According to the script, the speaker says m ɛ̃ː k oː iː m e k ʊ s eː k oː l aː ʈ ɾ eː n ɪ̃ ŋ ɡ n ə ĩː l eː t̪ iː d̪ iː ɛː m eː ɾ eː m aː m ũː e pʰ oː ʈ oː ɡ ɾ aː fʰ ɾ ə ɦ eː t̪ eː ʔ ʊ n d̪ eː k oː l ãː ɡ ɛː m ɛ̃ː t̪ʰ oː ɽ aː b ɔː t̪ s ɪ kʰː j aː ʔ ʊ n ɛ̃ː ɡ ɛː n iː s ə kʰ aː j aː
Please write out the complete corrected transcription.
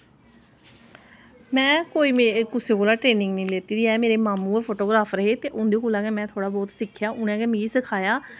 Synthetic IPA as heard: m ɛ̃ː k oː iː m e k ʊ s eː k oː l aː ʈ ɾ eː n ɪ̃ ŋ ɡ n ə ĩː l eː t̪ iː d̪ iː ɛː m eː ɾ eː m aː m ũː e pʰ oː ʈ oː ɡ ɾ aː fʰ ɾ ə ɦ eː t̪ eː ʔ ʊ n d̪ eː k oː l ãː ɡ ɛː m ɛ̃ː t̪ʰ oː ɽ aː b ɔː t̪ s ɪ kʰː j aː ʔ ʊ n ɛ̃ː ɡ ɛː m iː s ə kʰ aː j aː

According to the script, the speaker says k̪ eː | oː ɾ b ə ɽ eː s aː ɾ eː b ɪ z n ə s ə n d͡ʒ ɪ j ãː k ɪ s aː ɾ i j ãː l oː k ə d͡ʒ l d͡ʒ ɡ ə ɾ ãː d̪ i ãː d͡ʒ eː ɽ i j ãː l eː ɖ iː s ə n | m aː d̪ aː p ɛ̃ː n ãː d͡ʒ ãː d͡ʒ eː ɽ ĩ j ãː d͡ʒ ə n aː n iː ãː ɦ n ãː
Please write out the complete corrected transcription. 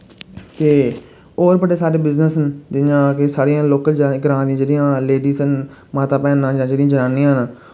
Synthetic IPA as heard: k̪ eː | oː ɾ b ə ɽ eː s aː ɾ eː b ɪ z n ə s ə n d͡ʒ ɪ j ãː k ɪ s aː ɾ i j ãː l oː k ə l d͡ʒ ɡ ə ɾ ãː d̪ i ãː d͡ʒ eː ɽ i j ãː l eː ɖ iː s ə n | m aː t̪ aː p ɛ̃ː n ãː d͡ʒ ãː d͡ʒ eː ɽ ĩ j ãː d͡ʒ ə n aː n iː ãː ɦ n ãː

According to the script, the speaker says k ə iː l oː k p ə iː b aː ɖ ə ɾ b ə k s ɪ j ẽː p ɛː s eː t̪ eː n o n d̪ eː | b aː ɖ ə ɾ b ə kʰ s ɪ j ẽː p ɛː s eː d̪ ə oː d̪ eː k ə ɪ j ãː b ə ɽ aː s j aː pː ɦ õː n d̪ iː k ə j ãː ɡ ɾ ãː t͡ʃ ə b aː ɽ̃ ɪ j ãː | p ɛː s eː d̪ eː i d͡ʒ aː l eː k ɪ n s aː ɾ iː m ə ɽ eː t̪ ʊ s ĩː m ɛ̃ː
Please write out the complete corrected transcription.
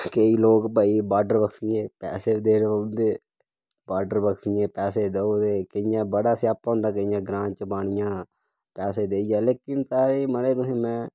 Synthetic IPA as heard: k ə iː l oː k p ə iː b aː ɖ ə ɾ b ə k s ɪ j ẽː p ɛː s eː d̪ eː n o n d̪ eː | b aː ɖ ə ɾ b ə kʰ s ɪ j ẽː p ɛː s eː d̪ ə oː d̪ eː k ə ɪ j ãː b ə ɽ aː s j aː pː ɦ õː n d̪ aː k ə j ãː ɡ ɾ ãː t͡ʃ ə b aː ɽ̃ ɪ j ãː | p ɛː s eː d̪ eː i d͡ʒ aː l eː k ɪ n s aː ɾ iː m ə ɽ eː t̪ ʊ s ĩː m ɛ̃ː

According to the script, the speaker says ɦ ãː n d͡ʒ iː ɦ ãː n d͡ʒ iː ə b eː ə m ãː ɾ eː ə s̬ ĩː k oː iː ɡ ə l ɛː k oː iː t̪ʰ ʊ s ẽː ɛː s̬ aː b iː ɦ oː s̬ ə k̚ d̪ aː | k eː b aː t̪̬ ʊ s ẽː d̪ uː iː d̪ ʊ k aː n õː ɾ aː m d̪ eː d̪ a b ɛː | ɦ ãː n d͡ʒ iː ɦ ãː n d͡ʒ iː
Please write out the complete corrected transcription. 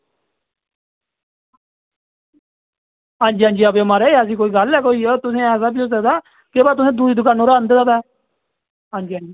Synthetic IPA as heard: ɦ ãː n d͡ʒ iː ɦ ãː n d͡ʒ iː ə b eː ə m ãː ɾ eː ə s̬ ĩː k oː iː ɡ ə l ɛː k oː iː t̪ ʊ s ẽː ɛː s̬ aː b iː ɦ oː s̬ ə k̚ d̪ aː | k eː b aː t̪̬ ʊ s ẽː d̪ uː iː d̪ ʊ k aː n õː ɾ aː n d̪ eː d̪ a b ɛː | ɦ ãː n d͡ʒ iː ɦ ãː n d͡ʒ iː

